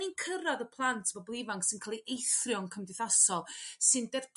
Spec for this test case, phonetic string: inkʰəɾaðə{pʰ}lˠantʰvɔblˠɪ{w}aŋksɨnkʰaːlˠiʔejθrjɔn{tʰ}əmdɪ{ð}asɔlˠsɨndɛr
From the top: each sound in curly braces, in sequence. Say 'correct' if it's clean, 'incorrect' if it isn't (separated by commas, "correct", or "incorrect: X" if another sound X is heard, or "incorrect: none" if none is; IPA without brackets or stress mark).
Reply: correct, incorrect: v, incorrect: kʰ, incorrect: θ